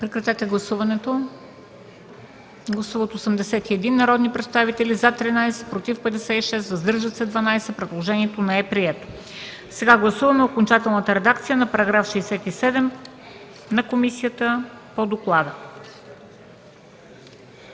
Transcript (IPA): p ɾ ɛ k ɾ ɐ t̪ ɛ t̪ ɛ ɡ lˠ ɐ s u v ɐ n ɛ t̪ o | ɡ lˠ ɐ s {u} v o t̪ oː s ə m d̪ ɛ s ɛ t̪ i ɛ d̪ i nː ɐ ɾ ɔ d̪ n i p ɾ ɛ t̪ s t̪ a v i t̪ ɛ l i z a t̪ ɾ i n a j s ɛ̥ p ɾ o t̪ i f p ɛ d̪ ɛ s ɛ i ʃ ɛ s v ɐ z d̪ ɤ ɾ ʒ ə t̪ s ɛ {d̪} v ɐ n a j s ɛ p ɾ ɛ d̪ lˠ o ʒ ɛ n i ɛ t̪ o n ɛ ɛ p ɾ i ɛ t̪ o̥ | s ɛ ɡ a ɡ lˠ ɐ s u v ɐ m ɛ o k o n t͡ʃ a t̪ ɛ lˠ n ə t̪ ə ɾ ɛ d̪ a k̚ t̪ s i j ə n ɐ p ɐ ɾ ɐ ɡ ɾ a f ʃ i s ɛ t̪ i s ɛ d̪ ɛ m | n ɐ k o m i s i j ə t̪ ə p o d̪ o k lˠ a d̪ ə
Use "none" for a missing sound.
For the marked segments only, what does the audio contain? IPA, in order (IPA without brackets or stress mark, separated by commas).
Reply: u, d̪